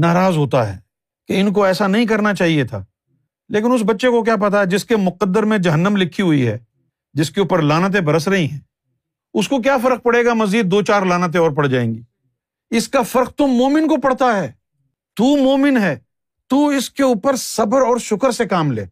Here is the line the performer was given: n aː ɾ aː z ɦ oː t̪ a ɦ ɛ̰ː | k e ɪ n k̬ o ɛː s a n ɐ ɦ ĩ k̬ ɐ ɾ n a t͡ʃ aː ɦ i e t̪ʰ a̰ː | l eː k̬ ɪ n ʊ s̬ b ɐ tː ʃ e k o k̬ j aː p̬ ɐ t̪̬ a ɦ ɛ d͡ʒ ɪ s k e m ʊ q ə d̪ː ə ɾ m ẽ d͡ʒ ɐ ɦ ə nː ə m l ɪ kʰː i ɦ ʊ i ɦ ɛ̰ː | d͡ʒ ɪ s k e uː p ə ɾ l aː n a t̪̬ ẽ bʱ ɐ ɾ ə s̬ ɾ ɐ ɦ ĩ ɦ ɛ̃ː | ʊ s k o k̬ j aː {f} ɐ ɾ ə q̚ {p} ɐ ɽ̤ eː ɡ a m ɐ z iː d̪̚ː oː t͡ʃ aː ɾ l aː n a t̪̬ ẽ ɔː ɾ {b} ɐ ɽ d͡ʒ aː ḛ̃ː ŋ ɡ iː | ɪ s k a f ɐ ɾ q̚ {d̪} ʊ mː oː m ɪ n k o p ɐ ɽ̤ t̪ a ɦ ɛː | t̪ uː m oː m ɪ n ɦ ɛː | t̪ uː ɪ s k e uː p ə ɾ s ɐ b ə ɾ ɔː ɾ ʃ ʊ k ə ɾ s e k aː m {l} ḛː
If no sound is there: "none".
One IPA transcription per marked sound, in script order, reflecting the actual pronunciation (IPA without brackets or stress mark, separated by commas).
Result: f, p, p, t̪, l